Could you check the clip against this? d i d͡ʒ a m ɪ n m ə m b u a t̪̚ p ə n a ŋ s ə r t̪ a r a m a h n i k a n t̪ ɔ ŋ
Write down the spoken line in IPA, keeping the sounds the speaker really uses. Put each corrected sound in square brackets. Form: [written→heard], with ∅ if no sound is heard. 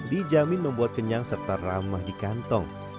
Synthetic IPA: d i d͡ʒ a m ɪ n m ə m b u a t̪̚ [p→k] ə [n→ɲ] a ŋ s ə r t̪ a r a m a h [n→d] i k a n t̪ ɔ ŋ